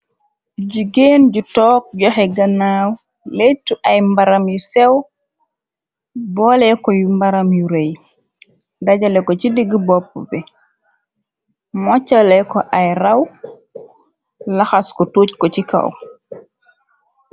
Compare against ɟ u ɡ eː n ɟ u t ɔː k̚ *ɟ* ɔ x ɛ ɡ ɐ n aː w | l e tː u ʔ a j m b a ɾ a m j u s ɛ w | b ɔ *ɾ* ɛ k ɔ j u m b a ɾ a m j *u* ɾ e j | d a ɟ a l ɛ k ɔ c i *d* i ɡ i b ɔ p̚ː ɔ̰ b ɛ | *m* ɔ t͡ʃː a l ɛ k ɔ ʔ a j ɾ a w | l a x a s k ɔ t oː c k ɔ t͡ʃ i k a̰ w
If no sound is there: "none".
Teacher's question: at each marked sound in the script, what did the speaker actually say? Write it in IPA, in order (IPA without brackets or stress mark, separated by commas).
ɟ, l, u, d, m